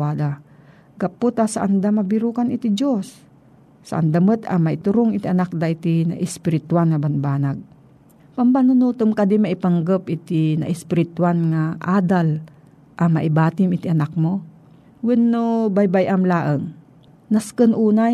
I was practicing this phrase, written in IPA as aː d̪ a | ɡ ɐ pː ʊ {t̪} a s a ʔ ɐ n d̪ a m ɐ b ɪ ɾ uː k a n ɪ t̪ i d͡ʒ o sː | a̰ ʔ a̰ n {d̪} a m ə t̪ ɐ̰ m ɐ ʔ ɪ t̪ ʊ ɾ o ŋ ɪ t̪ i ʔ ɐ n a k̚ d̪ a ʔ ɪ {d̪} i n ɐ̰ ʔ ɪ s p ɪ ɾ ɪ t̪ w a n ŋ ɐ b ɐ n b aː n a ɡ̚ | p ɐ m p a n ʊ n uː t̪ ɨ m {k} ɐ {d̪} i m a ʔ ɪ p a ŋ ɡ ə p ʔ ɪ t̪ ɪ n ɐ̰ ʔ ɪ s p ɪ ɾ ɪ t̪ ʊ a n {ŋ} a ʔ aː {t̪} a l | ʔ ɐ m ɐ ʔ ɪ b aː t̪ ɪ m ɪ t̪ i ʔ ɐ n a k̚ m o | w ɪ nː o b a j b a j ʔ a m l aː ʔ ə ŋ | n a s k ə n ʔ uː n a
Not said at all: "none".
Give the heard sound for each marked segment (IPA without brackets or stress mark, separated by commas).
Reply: t̪, d̪, t̪, k, d̪, ŋ, d̪